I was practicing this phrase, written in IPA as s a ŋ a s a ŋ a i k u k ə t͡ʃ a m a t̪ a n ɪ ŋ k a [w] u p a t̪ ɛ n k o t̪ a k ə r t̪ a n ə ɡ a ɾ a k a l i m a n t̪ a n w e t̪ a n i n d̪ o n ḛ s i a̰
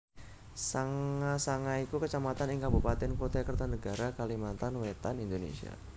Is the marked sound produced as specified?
no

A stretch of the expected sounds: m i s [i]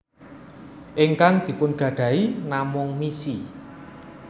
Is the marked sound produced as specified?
yes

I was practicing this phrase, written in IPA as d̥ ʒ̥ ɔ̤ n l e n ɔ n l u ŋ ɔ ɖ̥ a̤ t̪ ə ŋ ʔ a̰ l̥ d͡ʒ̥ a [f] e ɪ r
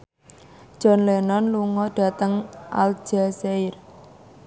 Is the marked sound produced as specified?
no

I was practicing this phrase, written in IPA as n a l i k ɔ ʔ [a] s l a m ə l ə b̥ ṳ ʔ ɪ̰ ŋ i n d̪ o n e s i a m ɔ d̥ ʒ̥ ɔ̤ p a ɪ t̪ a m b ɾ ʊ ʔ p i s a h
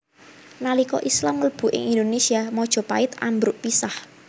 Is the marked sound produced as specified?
no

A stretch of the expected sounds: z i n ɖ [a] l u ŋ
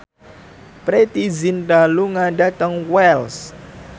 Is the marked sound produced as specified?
yes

